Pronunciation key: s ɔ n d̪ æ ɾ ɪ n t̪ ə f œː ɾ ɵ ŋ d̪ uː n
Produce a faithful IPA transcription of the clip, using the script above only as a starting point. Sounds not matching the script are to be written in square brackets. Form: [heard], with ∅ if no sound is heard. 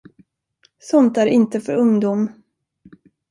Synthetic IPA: s ɔ n [t̪] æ ɾ ɪ n t̪ ə f [œ] ɾ ɵ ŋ d̪ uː [m]